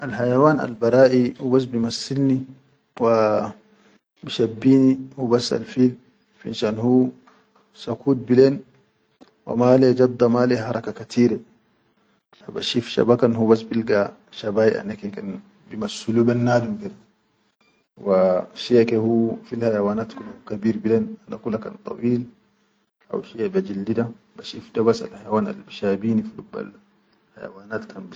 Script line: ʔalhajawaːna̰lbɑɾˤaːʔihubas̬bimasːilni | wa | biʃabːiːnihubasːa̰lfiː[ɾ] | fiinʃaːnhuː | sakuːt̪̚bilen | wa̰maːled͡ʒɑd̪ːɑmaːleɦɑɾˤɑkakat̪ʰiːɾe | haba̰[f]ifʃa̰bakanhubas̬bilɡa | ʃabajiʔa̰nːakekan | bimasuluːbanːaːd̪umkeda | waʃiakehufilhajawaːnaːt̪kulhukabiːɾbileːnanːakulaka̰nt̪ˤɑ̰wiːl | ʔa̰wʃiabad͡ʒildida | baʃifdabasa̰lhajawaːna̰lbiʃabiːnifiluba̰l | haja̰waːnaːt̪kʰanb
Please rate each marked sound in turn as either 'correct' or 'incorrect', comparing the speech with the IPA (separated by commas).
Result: incorrect, incorrect